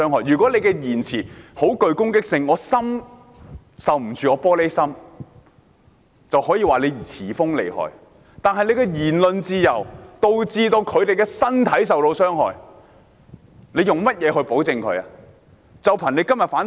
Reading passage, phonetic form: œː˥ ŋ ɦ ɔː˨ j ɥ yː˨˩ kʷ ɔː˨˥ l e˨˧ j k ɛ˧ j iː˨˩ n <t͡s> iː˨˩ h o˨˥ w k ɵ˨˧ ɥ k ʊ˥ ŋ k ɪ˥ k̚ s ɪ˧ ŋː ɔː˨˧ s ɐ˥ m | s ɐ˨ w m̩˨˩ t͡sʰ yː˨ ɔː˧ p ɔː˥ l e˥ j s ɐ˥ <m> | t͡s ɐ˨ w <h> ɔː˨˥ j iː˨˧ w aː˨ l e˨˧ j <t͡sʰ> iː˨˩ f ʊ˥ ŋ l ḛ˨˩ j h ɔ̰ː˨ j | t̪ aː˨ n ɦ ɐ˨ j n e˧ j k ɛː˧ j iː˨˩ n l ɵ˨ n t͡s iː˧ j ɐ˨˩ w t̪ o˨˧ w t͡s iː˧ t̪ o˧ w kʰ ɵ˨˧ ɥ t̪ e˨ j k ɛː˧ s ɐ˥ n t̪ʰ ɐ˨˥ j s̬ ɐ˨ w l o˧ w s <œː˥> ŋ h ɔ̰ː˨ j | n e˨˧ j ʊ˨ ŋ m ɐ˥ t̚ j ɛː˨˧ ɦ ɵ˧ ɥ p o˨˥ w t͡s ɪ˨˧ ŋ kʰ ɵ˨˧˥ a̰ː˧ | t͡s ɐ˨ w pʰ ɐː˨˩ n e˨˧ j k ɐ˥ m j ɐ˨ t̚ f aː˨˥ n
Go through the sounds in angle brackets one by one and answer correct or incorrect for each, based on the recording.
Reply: incorrect, correct, correct, correct, correct

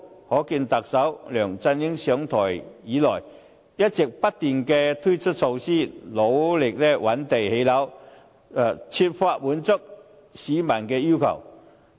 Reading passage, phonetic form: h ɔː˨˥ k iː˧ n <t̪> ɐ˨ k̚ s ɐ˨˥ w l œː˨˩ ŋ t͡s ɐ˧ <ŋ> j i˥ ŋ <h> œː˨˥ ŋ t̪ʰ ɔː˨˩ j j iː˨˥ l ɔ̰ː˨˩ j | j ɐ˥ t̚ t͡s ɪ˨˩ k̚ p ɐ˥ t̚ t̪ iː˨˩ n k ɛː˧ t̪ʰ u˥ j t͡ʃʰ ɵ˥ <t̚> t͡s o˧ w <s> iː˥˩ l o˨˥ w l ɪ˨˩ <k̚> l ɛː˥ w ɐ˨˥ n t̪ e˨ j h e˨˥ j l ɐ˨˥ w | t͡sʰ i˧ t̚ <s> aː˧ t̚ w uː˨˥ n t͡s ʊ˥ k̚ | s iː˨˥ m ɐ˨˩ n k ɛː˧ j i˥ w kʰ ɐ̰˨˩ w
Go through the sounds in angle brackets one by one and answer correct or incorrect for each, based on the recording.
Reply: correct, incorrect, incorrect, correct, correct, correct, incorrect

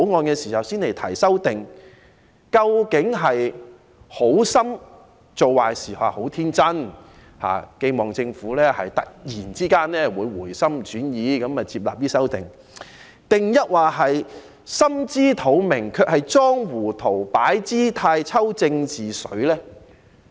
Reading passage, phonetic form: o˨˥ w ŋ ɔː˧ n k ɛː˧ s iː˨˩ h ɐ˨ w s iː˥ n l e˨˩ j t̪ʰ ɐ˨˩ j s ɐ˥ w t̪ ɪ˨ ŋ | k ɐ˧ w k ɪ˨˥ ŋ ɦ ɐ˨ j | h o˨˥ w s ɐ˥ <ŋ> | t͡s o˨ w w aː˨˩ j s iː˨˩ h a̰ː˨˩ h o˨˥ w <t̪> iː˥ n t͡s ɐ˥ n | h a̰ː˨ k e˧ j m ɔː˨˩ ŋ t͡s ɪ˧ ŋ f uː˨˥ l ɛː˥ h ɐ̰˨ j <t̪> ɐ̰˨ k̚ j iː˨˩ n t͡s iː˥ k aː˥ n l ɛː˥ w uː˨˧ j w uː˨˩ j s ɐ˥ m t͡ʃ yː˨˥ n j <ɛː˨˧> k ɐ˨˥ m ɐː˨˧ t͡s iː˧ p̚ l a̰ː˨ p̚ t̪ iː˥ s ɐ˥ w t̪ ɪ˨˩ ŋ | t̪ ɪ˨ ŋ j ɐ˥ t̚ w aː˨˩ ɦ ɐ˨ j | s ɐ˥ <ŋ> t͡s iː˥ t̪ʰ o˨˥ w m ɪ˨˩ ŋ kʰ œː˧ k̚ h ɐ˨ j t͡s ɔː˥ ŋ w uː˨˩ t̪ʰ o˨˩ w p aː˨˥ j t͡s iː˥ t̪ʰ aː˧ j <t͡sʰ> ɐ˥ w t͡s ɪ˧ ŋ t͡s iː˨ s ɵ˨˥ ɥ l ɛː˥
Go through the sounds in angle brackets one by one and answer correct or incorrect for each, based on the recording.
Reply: incorrect, incorrect, correct, incorrect, incorrect, correct

